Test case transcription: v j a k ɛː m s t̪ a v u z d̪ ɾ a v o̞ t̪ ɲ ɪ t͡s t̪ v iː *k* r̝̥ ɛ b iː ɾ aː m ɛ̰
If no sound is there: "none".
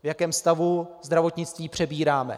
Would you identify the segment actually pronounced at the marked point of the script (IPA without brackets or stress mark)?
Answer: p